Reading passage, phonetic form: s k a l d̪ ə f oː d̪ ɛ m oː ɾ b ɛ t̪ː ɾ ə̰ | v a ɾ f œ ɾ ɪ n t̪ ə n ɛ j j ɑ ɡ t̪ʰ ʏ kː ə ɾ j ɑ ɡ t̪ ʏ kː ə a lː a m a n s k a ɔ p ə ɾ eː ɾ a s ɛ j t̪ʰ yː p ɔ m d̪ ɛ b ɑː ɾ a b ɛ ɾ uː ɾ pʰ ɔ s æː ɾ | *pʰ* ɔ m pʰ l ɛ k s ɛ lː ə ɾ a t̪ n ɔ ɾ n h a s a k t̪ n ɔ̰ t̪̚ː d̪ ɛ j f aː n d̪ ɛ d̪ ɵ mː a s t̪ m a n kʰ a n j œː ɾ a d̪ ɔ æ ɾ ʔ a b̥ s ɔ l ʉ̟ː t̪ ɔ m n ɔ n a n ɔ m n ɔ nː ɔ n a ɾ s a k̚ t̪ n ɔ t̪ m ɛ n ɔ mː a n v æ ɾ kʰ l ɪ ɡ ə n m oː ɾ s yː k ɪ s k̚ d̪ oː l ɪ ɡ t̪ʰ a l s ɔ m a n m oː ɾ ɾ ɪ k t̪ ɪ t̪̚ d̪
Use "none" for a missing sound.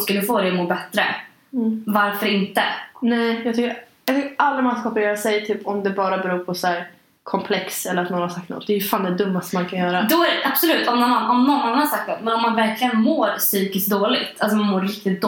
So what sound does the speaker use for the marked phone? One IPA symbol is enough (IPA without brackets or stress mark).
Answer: kʰ